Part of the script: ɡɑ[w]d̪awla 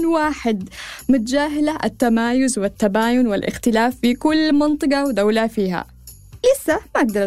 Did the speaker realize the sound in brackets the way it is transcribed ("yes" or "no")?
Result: yes